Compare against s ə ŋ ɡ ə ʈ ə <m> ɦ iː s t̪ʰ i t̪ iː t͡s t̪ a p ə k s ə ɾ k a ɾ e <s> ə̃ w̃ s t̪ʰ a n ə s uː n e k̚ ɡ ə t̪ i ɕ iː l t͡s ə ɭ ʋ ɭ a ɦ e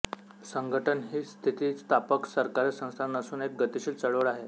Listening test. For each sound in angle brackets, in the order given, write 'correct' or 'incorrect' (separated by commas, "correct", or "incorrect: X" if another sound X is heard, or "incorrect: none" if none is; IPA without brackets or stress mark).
incorrect: n, correct